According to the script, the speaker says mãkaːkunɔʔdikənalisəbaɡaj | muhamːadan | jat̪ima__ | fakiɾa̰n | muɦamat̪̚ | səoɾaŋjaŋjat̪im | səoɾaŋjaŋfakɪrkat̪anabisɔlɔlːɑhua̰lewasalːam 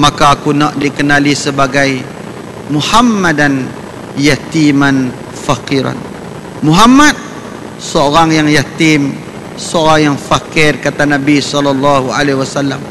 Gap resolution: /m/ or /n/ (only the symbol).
n